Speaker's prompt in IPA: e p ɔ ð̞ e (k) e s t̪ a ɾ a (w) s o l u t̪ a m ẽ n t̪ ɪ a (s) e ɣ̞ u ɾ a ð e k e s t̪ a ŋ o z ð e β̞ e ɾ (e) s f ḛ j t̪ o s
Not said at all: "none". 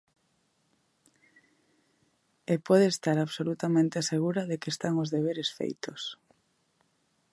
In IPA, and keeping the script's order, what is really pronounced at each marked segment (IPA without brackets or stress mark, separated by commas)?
none, β, s, e